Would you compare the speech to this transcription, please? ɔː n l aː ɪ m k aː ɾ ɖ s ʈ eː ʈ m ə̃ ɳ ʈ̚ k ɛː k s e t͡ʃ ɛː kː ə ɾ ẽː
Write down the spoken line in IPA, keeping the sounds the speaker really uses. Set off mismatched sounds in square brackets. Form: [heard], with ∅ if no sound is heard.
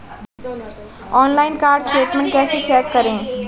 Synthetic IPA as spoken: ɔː n l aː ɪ [n] k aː ɾ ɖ s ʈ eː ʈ m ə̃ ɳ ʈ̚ k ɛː [∅] s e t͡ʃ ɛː kː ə ɾ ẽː